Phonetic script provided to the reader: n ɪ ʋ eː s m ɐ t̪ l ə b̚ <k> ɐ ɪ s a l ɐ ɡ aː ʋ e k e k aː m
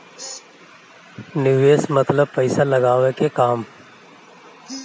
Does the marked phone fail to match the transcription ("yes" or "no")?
yes